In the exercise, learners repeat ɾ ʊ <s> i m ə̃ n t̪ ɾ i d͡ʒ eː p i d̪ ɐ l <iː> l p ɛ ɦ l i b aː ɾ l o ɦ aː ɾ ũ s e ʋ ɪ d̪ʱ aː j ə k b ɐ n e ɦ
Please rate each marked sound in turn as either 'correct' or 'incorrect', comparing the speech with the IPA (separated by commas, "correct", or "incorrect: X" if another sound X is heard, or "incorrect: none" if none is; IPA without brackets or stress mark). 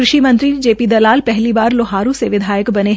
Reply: incorrect: ʃ, incorrect: aː